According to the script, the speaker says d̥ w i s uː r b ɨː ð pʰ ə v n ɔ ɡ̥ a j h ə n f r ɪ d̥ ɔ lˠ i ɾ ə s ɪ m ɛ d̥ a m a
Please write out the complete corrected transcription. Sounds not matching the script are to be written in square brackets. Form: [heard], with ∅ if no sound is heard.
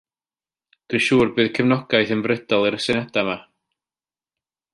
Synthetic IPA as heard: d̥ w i [ʃ] uː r b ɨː ð [kʰ] ə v n ɔ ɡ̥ a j [θ] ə n [v] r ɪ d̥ ɔ lˠ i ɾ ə s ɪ [n] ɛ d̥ a m a

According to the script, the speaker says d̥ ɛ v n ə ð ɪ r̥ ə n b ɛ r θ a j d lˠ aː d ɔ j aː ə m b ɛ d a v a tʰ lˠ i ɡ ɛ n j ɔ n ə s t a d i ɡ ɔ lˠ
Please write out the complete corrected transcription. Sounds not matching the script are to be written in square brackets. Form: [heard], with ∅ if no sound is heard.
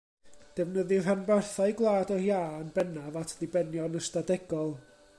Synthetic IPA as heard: d̥ ɛ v n ə ð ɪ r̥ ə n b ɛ r θ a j [ɡ] lˠ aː d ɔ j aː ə [n] b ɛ [n] a v a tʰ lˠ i [b] ɛ n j ɔ n ə s t a d [ɛ] ɡ ɔ lˠ

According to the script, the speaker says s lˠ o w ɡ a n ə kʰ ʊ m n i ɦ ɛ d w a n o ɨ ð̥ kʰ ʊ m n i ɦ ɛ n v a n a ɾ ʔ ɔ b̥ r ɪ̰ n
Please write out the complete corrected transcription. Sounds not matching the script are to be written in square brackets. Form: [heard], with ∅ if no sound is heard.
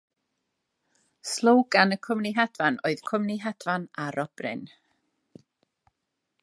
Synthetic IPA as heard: s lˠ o w ɡ a n ə kʰ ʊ m n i ɦ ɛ d [v] a n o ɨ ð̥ kʰ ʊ m n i ɦ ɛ [d] v a n a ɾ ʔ ɔ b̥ r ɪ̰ n

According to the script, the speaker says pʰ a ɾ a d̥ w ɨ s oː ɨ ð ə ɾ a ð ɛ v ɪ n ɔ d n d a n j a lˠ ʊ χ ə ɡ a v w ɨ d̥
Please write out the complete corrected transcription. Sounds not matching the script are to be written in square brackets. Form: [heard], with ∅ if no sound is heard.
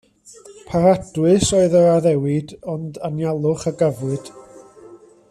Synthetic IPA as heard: pʰ a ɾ a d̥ w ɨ s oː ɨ ð ə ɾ a ð ɛ [w] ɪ [d] ɔ [∅] n d a n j a lˠ ʊ χ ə ɡ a v w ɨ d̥

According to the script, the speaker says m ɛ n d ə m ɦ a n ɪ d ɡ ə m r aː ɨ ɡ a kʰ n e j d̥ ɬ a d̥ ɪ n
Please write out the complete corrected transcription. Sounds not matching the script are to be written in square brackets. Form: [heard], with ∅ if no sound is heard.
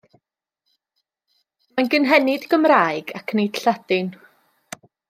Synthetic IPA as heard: m [a] n [ɡ] ə [n] ɦ [ɛ] n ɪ d ɡ ə m r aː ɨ ɡ a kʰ n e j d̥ ɬ a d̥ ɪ n

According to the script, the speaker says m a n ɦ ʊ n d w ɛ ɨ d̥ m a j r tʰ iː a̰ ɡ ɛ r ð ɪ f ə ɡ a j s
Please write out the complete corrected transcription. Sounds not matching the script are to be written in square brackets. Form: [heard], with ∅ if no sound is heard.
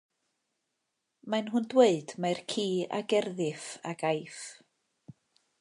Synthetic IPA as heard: m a n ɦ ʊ n d w [e] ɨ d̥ m a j r [kʰ] iː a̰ ɡ ɛ r ð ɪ f [a] ɡ a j [f]

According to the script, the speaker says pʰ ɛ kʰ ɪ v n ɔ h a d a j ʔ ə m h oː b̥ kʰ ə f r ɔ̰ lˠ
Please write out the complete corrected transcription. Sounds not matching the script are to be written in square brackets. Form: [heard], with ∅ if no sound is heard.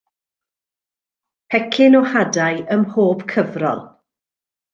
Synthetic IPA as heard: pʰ ɛ kʰ ɪ [∅] n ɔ h a d a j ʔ ə m h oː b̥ kʰ ə [v] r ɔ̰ lˠ

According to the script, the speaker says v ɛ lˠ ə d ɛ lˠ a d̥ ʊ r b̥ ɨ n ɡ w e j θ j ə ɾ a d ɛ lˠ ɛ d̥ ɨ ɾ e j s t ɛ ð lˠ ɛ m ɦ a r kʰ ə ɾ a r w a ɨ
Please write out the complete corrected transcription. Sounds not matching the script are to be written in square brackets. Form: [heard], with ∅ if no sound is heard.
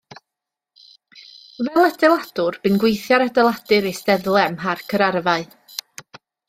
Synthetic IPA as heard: v ɛ lˠ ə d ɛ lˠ a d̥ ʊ r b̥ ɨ n ɡ w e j θ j [a] ɾ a d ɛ lˠ [a] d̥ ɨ ɾ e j s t ɛ ð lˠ ɛ m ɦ a r kʰ ə ɾ a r [v] a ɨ

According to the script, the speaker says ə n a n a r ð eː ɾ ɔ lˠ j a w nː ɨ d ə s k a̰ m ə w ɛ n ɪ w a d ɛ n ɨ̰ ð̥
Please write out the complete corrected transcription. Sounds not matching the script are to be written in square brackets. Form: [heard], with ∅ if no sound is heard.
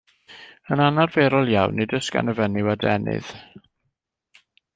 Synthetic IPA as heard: ə n a n a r [v] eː ɾ ɔ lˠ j a w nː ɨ d ə s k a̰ [n] ə [v] ɛ n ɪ w a d ɛ n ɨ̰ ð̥

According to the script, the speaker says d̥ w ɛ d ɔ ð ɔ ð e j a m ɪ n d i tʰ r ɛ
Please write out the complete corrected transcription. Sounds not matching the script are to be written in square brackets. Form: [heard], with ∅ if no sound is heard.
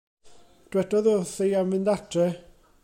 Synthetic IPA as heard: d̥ w ɛ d ɔ ð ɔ [θ] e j a m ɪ n d [a] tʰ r ɛ

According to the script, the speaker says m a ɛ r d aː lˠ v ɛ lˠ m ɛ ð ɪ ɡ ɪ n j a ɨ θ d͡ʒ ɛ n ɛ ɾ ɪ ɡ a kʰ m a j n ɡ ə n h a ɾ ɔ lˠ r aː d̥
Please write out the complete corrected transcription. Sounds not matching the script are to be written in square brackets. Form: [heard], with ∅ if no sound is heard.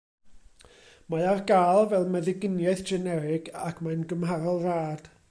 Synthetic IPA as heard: m a [a] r [ɡ] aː lˠ v ɛ lˠ m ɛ ð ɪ ɡ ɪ n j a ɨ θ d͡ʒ ɛ n ɛ ɾ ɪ ɡ a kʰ m a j n ɡ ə [m] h a ɾ ɔ lˠ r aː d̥

